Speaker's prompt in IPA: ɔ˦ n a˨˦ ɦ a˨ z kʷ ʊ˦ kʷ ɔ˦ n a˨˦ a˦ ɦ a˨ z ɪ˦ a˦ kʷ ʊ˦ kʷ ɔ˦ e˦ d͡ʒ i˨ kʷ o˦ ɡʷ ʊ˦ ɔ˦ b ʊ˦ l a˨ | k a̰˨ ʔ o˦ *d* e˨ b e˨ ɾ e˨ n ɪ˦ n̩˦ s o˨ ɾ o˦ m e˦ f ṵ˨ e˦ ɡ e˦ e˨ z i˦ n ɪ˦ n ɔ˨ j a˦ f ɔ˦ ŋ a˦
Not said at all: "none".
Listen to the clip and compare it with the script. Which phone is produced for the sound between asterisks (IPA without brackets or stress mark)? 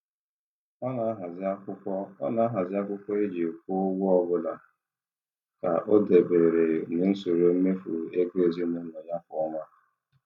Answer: d